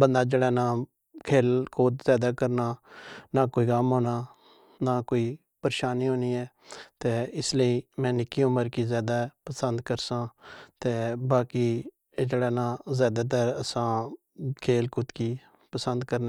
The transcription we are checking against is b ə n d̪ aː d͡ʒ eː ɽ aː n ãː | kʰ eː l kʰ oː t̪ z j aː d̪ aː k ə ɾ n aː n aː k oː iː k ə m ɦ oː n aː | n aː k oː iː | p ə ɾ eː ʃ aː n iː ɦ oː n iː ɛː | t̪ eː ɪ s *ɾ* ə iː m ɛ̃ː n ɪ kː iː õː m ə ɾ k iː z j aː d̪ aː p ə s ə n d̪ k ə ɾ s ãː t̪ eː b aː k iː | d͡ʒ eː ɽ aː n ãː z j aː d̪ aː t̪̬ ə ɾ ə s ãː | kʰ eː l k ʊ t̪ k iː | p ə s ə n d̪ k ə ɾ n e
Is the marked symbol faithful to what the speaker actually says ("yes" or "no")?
no